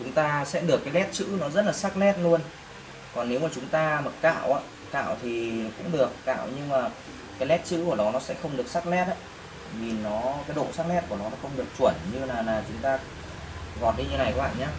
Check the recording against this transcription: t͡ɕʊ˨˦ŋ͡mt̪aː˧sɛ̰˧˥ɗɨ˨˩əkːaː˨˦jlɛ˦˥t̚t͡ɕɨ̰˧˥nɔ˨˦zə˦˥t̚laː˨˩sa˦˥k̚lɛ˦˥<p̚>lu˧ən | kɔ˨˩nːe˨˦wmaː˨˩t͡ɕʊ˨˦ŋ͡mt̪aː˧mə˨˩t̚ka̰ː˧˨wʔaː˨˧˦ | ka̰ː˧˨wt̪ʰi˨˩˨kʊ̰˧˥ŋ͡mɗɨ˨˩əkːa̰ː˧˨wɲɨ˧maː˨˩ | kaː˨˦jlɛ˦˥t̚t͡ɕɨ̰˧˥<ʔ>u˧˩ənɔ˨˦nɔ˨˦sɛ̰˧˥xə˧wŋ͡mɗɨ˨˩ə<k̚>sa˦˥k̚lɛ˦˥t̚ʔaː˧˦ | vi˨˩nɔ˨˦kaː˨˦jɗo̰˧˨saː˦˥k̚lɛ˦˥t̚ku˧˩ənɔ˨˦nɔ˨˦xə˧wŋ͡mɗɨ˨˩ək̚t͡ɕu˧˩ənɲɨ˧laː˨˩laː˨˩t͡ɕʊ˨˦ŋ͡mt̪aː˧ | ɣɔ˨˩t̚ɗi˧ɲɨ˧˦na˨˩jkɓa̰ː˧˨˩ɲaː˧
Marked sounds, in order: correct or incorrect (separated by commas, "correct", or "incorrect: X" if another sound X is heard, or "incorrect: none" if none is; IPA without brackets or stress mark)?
incorrect: t̚, incorrect: k, correct